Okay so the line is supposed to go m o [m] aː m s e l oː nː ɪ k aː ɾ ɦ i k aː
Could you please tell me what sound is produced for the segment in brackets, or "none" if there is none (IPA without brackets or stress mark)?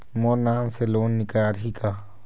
n